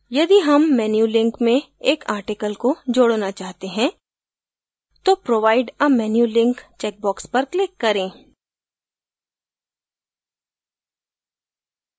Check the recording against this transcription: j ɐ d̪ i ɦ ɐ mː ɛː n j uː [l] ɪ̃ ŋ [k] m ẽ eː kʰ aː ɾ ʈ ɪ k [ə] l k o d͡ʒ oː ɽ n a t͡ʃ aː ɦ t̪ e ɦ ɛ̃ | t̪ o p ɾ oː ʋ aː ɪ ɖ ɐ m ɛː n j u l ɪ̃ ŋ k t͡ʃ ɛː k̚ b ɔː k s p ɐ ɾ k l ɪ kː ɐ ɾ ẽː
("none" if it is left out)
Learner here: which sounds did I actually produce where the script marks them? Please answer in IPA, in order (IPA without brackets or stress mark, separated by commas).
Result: l, k, ə